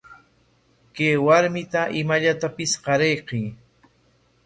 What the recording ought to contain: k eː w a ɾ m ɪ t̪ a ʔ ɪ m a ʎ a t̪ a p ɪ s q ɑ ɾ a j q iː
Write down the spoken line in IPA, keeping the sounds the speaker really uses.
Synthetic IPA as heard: k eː w a ɾ m ɪ t̪ a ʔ ɪ m a ʎ a t̪ a p ɪ s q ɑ ɾ e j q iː